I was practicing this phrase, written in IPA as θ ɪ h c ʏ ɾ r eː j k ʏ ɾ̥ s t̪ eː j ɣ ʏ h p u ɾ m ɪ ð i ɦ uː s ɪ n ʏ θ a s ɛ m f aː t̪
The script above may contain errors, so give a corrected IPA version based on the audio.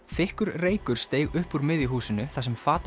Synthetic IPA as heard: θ ɪ h k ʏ ɾ r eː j k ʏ ɾ̥ s t̪ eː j ɣ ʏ h p u ɾ m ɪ ð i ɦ uː s ɪ n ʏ θ a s ɛ m f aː t̪